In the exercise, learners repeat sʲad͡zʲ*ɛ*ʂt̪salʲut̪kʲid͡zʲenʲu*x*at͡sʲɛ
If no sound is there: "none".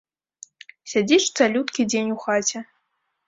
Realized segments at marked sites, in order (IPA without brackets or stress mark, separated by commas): i, x